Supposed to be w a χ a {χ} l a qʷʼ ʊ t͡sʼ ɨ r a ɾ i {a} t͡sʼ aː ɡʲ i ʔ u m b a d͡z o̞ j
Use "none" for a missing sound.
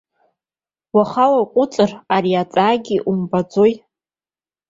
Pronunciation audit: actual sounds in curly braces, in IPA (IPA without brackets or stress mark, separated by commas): none, a